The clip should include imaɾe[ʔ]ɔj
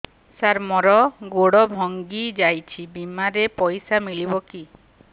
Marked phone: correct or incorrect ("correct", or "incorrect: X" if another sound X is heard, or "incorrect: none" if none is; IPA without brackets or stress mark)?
incorrect: p